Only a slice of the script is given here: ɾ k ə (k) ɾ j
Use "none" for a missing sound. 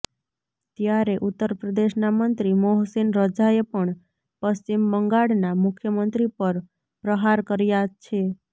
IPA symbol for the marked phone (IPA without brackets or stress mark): none